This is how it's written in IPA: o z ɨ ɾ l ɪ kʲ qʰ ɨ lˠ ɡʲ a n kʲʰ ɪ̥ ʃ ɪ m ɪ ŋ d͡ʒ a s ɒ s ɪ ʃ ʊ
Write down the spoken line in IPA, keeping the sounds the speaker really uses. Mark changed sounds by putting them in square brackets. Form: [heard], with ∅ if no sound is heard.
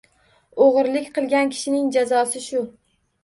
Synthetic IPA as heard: o [ʁ] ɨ ɾ l ɪ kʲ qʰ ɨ lˠ ɡʲ a n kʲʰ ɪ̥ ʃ ɪ [n] ɪ ŋ d͡ʒ a [z] ɒ s ɪ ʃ ʊ